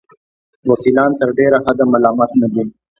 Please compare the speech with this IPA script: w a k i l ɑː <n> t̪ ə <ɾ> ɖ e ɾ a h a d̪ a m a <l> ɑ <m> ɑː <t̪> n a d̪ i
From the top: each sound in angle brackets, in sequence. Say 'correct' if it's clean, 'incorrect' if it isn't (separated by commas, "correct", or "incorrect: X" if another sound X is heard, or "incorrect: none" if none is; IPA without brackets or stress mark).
correct, correct, correct, correct, correct